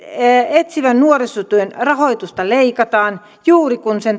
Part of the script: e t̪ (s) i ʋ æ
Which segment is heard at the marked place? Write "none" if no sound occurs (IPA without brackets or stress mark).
s